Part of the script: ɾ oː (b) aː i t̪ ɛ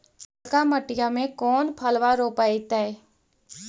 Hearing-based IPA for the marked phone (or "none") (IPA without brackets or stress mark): p